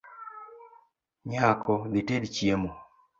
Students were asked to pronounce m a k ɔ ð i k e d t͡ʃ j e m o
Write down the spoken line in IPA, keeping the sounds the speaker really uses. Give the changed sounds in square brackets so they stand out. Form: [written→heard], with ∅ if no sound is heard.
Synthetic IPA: [m→ɲ] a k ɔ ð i [k→t] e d t͡ʃ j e m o